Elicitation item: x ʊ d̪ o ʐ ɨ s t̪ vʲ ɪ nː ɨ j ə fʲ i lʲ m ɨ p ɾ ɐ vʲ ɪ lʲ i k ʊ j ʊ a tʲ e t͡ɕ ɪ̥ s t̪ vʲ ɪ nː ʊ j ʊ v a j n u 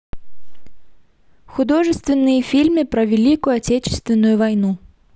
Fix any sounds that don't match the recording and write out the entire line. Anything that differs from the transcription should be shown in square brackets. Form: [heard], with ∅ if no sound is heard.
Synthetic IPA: x ʊ d̪ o ʐ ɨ s t̪ vʲ ɪ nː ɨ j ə fʲ i lʲ m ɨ p ɾ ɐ vʲ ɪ lʲ i k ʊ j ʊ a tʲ e t͡ɕ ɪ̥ s t̪ vʲ ɪ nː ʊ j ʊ v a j n u

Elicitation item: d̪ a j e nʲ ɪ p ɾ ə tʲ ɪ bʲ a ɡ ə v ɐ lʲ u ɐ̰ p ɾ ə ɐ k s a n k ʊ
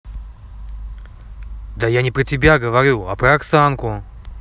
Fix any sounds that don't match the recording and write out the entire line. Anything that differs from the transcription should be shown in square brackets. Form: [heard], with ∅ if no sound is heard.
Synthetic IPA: d̪ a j [a] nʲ ɪ p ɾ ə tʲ ɪ bʲ a ɡ ə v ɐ [ɾʲ] u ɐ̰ p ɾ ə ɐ k s a n k ʊ

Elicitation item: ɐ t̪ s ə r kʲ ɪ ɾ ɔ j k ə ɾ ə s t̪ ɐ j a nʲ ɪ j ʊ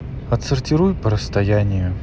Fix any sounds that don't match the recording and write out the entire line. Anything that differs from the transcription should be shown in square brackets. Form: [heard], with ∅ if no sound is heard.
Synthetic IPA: ɐ t̪ s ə r [tʲ] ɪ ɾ [u] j [p] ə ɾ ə s t̪ ɐ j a nʲ ɪ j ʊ

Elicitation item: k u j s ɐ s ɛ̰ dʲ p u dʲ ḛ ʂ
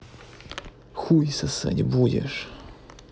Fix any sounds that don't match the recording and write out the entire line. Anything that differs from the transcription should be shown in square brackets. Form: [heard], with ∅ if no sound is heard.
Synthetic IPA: [x] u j s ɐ s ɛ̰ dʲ [b] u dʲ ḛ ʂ

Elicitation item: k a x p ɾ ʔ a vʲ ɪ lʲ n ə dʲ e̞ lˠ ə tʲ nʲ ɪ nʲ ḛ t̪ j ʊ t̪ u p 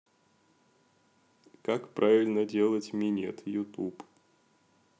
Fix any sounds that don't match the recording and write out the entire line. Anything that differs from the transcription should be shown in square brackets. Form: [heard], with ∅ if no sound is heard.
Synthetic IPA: k a [k] p ɾ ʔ a vʲ ɪ lʲ n ə dʲ e̞ lˠ ə tʲ [mʲ] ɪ nʲ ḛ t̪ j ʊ t̪ u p

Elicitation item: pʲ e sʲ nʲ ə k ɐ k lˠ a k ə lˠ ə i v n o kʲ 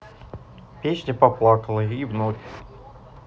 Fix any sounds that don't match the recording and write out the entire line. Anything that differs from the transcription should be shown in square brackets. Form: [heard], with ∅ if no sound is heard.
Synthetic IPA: pʲ e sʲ nʲ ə [p] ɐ [p] lˠ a k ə lˠ ə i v n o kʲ

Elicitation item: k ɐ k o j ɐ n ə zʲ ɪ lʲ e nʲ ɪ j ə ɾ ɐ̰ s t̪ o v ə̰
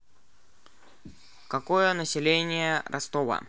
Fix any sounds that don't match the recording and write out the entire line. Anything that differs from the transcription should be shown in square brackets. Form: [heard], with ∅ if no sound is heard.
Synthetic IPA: k ɐ k o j [ə] n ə [sʲ] ɪ lʲ e nʲ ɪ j ə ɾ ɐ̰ s t̪ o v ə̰

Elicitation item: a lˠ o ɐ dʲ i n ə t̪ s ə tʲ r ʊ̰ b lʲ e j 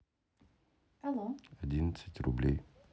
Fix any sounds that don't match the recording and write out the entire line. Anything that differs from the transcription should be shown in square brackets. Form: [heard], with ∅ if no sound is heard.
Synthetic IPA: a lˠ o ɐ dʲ i n ə t̪ s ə tʲ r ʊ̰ b lʲ e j

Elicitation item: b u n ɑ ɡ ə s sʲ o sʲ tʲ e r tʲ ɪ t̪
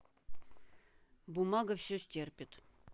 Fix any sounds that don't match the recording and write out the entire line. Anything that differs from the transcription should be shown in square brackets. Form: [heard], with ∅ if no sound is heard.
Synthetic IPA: b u [m] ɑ ɡ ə [f] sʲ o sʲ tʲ e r [pʲ] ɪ t̪

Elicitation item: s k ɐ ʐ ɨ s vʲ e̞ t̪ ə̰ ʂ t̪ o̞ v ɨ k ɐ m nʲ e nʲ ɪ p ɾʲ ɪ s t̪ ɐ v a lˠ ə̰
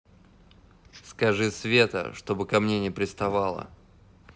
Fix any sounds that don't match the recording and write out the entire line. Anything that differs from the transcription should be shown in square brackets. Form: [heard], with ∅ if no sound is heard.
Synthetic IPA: s k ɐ ʐ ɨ s vʲ e̞ t̪ ə̰ ʂ t̪ o̞ [b] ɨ k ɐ m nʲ e nʲ ɪ p ɾʲ ɪ s t̪ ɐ v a lˠ ə̰

